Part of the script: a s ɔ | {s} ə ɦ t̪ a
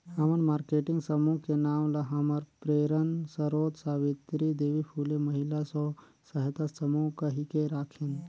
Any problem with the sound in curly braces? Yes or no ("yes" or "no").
no